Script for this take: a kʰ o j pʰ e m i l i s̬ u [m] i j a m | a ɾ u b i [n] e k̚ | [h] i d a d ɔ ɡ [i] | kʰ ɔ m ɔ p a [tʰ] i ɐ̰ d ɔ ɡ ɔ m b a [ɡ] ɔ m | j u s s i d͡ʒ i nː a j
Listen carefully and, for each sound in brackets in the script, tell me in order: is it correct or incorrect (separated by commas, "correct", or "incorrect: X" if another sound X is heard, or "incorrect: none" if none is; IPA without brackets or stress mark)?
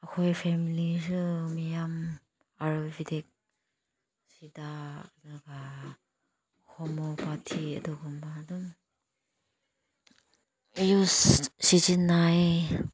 correct, incorrect: d, incorrect: s, incorrect: a, correct, incorrect: d